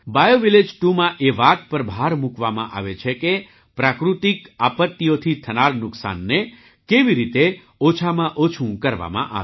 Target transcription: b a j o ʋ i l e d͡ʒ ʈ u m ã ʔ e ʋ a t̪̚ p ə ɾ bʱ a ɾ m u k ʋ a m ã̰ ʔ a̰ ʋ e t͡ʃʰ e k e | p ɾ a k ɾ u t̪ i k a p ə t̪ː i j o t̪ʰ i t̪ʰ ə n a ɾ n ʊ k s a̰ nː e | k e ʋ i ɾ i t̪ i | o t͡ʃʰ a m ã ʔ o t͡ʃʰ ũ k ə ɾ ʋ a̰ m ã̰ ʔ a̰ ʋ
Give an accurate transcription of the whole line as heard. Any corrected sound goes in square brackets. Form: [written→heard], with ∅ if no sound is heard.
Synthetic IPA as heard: b a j o ʋ i l e d͡ʒ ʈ u m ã ʔ e ʋ a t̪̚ p ə ɾ bʱ a ɾ m u k ʋ a m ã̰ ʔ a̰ ʋ e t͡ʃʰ e k e | p ɾ a k ɾ u t̪ i k a p ə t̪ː i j o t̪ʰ i t̪ʰ ə n a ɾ n ʊ k s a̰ nː e | k e ʋ i ɾ i t̪ [i→e] | o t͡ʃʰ a m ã ʔ o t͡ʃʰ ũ k ə ɾ ʋ a̰ m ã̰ ʔ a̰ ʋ